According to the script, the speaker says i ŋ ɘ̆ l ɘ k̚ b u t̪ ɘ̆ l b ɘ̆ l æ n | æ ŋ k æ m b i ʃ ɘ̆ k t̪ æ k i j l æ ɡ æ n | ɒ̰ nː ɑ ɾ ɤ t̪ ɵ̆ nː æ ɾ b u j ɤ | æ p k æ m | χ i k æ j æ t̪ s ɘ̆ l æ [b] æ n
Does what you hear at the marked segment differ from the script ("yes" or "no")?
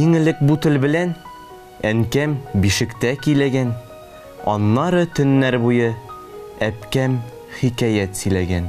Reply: yes